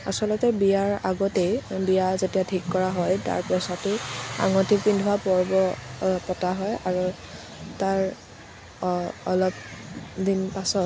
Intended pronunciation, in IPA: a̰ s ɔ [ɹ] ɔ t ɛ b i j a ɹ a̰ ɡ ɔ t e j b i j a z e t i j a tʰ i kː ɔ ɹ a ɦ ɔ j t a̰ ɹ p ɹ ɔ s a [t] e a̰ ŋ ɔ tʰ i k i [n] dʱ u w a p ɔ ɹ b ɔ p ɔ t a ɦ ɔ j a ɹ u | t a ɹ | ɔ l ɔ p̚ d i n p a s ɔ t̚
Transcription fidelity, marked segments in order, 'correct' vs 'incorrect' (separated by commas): incorrect, correct, correct